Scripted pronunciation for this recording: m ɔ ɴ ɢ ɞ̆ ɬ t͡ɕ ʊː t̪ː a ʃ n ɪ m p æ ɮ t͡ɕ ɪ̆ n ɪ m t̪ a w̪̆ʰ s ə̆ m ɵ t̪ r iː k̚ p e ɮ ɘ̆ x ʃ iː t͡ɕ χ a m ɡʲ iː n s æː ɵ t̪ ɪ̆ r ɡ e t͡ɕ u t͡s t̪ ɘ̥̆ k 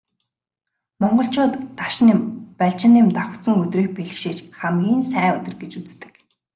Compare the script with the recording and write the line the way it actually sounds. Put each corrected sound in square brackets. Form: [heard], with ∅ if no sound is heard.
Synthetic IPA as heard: m ɔ ɴ ɢ ɞ̆ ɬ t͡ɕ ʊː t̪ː a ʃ n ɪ m p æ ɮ t͡ɕ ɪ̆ n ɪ m t̪ a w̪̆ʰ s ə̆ [ŋ] ɵ t̪ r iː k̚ p e ɮ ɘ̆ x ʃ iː t͡ɕ χ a m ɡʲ iː n s æː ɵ t̪ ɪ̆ r ɡ e t͡ɕ u t͡s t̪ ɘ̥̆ k